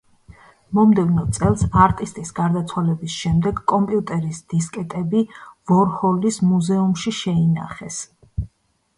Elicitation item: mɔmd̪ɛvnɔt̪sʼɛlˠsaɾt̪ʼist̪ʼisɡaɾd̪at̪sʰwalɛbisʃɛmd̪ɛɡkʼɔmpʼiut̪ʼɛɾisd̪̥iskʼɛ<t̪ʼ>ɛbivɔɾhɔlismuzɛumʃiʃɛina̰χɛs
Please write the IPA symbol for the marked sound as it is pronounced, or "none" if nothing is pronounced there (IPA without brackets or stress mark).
t̪ʼ